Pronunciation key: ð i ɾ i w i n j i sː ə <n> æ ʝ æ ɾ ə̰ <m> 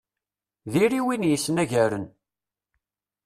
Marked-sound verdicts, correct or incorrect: correct, incorrect

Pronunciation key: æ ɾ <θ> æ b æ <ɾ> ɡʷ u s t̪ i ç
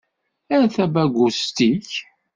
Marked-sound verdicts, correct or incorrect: correct, incorrect

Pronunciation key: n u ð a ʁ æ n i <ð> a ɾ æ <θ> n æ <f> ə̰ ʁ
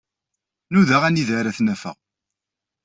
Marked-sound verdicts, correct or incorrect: correct, correct, correct

